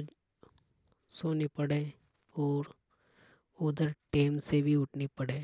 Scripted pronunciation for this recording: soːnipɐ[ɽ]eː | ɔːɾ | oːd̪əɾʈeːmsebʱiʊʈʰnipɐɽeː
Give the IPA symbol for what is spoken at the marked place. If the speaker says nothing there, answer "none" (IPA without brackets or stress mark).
ɽ